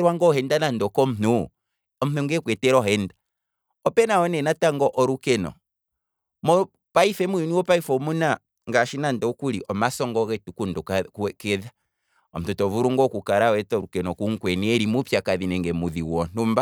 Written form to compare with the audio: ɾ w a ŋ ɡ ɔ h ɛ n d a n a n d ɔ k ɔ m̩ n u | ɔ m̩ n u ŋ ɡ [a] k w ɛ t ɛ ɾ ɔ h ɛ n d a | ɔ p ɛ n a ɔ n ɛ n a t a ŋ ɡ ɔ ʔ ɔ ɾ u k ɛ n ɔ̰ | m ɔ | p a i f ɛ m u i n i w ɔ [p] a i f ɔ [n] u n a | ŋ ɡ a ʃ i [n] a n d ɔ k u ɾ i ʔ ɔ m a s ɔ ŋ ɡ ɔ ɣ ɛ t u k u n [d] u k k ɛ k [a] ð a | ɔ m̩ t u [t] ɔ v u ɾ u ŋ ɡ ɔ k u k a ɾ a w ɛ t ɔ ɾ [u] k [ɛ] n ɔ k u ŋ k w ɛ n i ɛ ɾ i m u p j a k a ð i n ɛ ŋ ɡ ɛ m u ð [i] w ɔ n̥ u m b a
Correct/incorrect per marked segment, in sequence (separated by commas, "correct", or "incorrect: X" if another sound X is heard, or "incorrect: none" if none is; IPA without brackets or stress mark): incorrect: ɛ, correct, incorrect: m, correct, correct, incorrect: ɛ, correct, correct, correct, correct